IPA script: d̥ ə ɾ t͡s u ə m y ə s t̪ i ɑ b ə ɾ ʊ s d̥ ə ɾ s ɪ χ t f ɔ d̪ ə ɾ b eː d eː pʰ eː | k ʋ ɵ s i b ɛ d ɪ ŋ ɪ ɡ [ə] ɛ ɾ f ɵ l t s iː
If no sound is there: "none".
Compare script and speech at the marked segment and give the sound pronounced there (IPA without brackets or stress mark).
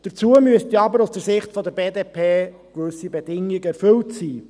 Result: ə